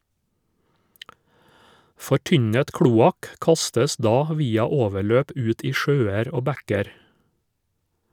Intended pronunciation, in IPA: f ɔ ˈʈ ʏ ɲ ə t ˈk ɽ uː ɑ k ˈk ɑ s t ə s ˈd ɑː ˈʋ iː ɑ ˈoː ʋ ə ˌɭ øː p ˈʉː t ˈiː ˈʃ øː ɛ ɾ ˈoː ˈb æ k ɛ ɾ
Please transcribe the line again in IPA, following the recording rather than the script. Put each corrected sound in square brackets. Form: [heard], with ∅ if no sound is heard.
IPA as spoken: f ɔ ˈʈ ʏ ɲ ə t ˈk ɽ uː ɑ k ˈk ɑ s t ə s ˈd ɑː ˈʋ iː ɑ ˈoː ʋ ə ˌɭ øː p ˈʉː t ˈiː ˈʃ øː ɛ ɾ ˈoː ˈb æ k ɛ ɾ